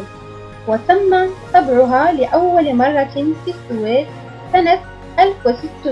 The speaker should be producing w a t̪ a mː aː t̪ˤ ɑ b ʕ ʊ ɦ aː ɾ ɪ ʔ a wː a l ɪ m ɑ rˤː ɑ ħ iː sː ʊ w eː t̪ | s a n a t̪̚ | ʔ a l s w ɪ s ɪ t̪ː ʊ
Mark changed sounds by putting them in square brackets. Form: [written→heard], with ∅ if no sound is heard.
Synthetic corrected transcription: w a t̪ a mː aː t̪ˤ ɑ b ʕ ʊ ɦ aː [ɾ→l] ɪ ʔ a wː a l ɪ m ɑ rˤː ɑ [ħ→f] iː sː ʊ w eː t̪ | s a n a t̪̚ | ʔ a l [s→f] w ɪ s ɪ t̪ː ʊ